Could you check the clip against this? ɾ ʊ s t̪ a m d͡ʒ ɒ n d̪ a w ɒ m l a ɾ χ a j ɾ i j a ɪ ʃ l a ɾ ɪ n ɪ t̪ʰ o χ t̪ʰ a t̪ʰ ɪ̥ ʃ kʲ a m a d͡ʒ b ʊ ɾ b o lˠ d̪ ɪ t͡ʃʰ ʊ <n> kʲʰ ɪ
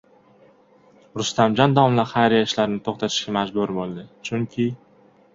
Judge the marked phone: incorrect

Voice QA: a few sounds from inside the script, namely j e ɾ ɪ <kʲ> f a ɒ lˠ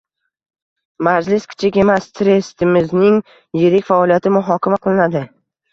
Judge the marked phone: correct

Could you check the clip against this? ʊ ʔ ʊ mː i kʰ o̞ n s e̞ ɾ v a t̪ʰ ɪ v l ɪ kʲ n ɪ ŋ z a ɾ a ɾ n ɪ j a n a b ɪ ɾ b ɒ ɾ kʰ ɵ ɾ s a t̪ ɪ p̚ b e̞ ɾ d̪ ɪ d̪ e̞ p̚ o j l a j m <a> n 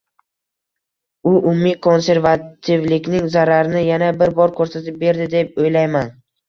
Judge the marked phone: correct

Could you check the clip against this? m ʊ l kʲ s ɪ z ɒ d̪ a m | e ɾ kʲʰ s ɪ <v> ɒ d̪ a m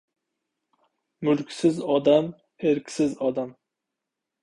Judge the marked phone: incorrect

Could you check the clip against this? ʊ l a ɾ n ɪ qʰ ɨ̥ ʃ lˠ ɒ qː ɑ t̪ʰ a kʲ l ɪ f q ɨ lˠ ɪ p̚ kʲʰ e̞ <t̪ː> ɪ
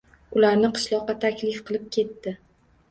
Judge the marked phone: correct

